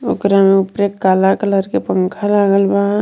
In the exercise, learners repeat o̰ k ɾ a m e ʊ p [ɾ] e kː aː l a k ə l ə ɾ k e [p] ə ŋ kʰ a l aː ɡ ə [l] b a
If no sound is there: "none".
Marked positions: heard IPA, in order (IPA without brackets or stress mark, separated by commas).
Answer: ɾ, p, l